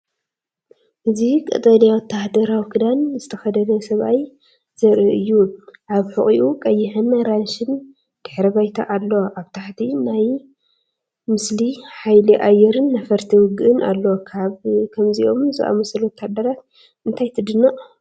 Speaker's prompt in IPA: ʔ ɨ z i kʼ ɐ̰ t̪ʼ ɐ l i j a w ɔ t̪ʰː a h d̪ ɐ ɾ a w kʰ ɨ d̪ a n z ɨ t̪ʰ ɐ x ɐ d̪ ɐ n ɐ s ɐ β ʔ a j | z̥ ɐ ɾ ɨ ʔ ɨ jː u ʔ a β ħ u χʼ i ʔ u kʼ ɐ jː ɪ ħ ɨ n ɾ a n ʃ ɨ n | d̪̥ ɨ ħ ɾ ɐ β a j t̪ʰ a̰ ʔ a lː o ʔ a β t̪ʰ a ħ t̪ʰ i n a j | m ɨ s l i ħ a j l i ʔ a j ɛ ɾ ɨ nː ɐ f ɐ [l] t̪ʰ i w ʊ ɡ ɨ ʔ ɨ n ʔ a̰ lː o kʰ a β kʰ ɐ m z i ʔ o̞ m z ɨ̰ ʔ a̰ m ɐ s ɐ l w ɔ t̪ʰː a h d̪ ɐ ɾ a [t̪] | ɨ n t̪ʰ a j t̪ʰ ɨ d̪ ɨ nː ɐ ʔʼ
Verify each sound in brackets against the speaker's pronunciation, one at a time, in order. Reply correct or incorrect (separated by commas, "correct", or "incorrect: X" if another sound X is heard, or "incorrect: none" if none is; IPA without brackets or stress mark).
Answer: incorrect: ɾ, correct